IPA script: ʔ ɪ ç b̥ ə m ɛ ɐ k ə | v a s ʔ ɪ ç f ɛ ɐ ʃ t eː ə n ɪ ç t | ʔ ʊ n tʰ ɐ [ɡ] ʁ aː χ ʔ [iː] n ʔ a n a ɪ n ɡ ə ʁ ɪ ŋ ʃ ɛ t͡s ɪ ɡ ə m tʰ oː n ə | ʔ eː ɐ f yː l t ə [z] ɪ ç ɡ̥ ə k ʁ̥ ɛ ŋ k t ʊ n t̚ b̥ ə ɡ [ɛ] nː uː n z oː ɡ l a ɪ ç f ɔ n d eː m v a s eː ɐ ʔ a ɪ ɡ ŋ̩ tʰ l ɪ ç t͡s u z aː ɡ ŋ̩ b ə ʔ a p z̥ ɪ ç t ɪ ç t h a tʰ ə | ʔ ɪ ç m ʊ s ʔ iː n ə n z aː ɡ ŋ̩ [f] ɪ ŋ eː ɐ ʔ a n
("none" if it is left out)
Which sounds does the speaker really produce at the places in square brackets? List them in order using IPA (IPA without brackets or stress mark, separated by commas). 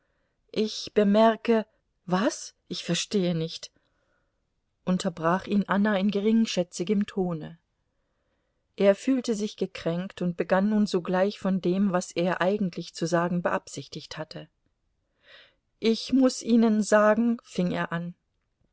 b, iː, z, a, f